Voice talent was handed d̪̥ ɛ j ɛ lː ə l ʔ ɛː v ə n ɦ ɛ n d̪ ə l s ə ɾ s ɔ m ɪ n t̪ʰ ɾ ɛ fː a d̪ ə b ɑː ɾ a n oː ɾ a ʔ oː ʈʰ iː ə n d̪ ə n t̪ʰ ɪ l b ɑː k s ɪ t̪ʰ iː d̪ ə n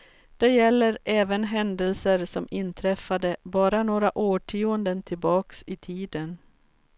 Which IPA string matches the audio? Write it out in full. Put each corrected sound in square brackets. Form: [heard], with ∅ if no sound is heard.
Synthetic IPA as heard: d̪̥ ɛ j ɛ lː ə [ɾ] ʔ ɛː v ə n ɦ ɛ n d̪ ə l s ə ɾ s ɔ m ɪ n t̪ʰ ɾ ɛ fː a d̪ ə b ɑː ɾ a n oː ɾ a ʔ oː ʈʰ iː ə n d̪ ə n t̪ʰ ɪ l b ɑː k s ɪ t̪ʰ iː d̪ ə n